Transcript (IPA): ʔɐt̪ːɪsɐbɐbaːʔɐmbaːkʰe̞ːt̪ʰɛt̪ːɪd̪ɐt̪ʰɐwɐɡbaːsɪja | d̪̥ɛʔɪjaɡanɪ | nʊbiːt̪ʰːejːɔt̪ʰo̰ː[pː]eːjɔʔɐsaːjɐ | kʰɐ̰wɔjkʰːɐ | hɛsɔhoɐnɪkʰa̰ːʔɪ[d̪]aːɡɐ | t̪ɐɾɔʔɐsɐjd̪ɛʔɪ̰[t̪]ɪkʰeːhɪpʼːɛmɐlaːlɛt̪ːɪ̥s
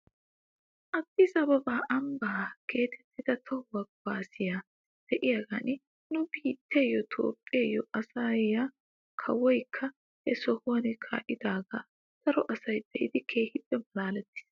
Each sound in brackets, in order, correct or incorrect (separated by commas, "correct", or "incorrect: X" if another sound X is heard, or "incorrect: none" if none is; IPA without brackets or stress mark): incorrect: pʼː, correct, incorrect: d̪